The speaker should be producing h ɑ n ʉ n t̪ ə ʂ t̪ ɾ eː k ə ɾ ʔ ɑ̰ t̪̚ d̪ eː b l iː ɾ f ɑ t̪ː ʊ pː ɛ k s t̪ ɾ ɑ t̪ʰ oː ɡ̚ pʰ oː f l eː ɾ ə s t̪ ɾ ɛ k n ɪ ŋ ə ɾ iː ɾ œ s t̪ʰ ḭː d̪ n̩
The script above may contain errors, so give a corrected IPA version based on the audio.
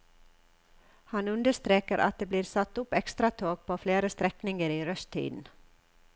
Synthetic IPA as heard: h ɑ n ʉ n d̪ ə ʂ t̪ ɾ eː k ə ɾ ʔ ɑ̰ t̪̚ d̪ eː b l iː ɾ s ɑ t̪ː ʊ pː ɛ k s t̪ ɾ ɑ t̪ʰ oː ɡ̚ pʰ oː f l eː ɾ ə s t̪ ɾ ɛ k n ɪ ŋ ə ɾ iː ɾ œ s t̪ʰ ḭː d̪ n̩